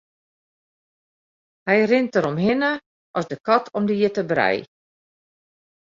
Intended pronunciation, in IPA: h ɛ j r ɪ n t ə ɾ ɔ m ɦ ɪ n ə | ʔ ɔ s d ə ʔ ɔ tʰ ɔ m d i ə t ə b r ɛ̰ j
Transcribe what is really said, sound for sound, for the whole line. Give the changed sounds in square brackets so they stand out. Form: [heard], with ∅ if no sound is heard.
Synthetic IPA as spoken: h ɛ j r ɪ n t ə ɾ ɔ m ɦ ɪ n ə | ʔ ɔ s d ə [k] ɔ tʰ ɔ m d i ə t ə b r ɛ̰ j